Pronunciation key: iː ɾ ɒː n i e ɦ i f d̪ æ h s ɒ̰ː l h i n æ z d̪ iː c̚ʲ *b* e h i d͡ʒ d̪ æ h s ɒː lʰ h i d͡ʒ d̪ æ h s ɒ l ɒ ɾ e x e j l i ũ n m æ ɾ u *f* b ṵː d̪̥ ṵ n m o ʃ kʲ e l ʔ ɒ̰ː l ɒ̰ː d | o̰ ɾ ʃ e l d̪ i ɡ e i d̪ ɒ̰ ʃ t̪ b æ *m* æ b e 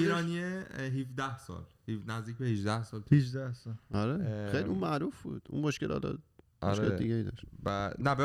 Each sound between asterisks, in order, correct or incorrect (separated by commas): correct, correct, incorrect